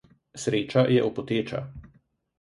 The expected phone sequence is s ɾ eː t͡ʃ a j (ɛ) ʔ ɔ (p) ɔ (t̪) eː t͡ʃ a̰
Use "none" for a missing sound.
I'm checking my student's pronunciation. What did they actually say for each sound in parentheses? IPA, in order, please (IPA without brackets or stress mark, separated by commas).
ɛ, p, t̪